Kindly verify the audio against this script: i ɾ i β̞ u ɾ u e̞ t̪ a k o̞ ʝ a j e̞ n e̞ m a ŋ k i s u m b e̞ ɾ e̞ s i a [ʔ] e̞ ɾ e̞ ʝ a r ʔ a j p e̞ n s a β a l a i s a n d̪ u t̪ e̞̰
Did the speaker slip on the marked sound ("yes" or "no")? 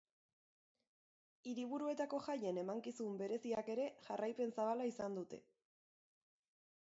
yes